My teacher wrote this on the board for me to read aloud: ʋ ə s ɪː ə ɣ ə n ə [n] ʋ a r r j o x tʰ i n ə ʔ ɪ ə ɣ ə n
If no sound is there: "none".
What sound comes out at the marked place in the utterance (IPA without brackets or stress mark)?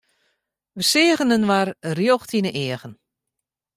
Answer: n